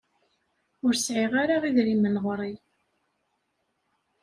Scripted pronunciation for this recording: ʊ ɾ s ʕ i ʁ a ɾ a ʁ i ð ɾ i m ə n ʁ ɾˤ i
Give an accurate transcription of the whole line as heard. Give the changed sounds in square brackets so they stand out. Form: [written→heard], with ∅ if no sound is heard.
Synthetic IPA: ʊ ɾ s ʕ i ʁ a ɾ a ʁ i ð ɾ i m ə n ʁ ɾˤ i